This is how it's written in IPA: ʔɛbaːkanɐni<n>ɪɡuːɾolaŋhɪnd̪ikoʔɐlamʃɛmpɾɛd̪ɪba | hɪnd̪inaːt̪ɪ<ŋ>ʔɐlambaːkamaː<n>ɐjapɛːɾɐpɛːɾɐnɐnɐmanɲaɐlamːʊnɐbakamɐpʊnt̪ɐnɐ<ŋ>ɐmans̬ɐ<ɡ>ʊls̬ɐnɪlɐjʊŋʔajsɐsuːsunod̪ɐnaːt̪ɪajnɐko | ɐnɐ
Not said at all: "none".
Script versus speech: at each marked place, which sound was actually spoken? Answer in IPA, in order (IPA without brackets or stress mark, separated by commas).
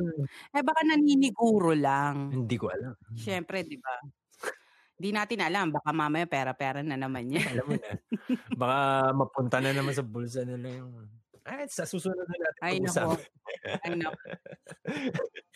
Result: n, n, m, n, b